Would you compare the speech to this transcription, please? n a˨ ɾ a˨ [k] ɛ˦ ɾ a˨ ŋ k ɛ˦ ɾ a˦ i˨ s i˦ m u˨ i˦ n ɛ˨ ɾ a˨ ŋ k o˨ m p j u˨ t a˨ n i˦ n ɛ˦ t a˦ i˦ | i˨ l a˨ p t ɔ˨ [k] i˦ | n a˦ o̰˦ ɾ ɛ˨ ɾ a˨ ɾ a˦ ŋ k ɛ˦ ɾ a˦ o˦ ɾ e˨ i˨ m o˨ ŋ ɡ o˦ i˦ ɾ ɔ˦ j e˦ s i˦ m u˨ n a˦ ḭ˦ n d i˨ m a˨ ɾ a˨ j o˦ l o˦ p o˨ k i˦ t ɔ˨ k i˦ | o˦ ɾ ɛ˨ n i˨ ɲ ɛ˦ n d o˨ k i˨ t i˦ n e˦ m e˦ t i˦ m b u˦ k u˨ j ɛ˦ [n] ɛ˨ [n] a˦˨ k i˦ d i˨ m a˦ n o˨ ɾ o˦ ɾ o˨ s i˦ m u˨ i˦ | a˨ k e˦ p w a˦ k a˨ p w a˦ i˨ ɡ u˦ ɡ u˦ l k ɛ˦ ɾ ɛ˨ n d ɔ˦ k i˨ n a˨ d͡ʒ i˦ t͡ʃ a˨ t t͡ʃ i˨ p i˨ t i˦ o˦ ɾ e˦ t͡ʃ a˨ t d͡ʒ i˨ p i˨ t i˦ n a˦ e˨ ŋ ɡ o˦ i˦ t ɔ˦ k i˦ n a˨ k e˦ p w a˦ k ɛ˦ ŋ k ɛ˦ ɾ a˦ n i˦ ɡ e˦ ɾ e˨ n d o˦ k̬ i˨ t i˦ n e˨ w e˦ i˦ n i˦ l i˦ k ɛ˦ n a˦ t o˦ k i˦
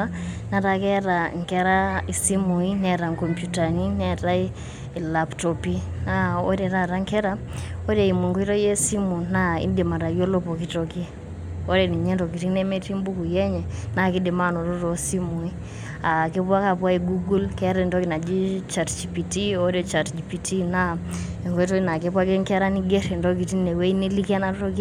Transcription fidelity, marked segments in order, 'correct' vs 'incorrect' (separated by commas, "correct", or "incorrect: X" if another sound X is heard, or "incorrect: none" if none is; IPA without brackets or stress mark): correct, incorrect: p, incorrect: ɲ, correct